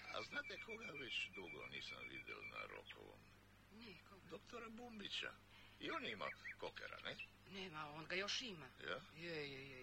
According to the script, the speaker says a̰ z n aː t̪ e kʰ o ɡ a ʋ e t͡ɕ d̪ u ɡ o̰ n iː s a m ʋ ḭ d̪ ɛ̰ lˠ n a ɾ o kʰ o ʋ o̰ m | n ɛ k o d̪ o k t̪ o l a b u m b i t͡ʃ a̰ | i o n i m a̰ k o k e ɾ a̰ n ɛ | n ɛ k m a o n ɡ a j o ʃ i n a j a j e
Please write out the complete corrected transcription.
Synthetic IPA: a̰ z n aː t̪ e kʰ o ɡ a ʋ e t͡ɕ d̪ u ɡ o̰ n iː s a m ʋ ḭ d̪ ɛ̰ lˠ n a ɾ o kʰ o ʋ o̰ m | n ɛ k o d̪ o k t̪ o ɾ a b u m b i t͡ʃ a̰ | i o n i m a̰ k o k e ɾ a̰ n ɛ | n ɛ m a o n ɡ a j o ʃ i m a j a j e